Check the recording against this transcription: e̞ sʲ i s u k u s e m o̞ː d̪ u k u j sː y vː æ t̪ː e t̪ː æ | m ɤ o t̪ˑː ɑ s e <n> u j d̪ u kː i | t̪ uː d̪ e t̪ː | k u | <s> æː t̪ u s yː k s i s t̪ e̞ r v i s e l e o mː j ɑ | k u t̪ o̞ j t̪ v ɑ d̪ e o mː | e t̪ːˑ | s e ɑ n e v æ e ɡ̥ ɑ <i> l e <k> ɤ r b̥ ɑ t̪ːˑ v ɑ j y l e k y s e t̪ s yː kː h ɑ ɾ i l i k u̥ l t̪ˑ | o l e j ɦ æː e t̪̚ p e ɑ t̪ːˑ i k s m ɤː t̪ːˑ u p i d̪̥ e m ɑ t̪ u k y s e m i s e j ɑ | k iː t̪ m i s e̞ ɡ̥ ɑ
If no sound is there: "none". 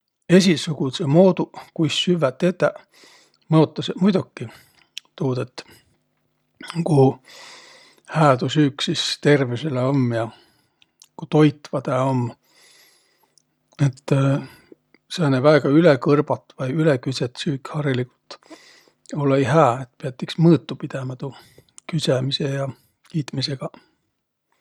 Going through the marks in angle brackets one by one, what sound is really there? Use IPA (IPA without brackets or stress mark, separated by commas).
m, h, y, k